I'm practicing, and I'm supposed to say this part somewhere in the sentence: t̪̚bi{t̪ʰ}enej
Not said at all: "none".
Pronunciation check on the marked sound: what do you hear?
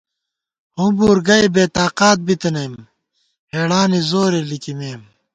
t̪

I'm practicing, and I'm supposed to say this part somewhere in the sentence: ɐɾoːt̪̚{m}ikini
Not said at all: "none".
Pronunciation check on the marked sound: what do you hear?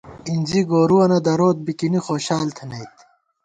b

